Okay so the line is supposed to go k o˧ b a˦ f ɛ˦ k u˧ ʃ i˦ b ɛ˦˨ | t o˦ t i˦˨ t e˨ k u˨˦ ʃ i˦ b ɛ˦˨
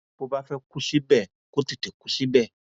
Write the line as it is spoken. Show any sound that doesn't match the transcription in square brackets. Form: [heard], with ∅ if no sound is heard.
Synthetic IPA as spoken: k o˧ b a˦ f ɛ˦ k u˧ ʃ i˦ b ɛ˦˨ | [k] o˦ t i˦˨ t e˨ k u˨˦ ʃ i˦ b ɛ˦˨